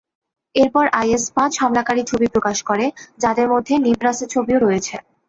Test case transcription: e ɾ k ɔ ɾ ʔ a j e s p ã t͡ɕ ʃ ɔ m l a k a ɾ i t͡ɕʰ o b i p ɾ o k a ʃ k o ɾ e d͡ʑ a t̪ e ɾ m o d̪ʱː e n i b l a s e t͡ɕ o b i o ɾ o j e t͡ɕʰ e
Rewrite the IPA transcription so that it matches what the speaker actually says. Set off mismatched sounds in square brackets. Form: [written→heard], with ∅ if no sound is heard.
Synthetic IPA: e ɾ [k→p] ɔ ɾ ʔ a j e s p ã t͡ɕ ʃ ɔ m l a k a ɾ i t͡ɕʰ o b i p ɾ o k a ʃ k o ɾ e d͡ʑ a [t̪→d̪] e ɾ m o d̪ʱː e n i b [l→ɾ] a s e [t͡ɕ→t͡ɕʰ] o b i o ɾ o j e t͡ɕʰ e